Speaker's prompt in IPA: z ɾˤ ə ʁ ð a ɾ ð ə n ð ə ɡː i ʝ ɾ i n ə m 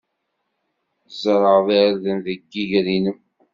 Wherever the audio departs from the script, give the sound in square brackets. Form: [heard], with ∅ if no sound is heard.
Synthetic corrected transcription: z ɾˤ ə ʁ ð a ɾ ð ə n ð ə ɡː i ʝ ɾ i n ə m